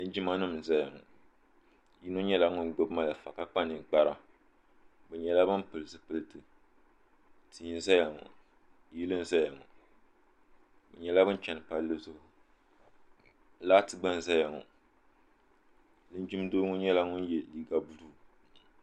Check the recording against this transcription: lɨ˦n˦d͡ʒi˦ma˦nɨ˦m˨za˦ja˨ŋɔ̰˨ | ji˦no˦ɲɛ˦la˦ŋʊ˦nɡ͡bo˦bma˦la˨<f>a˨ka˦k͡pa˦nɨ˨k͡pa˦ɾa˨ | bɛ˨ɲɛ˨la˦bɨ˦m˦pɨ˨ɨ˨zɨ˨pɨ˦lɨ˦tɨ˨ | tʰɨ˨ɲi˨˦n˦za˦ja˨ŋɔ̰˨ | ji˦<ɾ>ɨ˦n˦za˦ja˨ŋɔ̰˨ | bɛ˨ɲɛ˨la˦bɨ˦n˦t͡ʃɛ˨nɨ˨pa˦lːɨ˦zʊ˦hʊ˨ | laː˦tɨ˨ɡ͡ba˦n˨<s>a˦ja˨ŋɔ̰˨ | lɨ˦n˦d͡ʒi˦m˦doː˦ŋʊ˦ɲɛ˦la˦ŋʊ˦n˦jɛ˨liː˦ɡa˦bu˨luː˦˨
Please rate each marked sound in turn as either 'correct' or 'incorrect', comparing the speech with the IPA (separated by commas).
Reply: correct, incorrect, incorrect